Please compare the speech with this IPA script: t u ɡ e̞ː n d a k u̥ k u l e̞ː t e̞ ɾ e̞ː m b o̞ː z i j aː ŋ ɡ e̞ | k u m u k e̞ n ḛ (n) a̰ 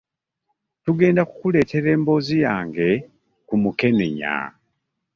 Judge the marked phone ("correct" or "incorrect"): incorrect